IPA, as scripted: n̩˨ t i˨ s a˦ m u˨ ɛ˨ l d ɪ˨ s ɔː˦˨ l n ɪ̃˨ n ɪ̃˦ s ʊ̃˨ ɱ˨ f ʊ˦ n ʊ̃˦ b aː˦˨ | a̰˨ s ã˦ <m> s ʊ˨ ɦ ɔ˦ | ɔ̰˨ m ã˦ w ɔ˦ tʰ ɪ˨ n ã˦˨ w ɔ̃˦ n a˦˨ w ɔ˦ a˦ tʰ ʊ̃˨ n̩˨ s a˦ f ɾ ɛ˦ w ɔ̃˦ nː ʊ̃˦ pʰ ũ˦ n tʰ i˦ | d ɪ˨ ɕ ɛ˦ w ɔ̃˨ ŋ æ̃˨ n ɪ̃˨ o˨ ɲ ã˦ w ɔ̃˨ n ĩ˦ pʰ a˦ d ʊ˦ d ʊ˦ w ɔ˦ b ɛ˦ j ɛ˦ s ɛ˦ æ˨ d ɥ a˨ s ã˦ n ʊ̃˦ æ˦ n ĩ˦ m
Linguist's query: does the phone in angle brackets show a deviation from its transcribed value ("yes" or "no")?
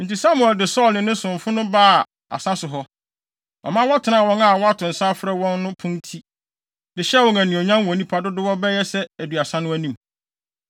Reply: yes